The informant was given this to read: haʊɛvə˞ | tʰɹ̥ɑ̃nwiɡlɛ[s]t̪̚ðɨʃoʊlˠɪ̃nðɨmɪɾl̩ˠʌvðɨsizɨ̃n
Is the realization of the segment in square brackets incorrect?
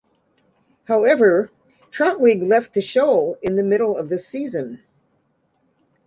yes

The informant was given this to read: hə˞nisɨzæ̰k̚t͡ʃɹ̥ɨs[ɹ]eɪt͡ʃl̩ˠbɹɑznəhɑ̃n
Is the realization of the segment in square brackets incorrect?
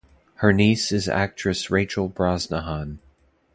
no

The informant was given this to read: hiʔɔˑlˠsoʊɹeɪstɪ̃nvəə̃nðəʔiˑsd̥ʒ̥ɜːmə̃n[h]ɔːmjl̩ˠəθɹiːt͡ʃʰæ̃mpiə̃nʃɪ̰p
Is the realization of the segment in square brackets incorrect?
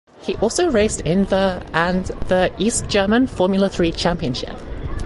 yes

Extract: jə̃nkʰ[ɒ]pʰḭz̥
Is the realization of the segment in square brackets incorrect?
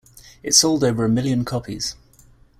no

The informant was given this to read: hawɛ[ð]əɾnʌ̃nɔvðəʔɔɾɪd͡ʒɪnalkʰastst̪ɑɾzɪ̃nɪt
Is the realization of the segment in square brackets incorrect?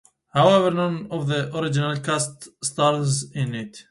yes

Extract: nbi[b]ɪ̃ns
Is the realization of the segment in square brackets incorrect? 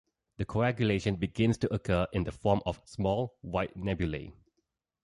yes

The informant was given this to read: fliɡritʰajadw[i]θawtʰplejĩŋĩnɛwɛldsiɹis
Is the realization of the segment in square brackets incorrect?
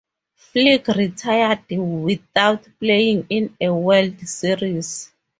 no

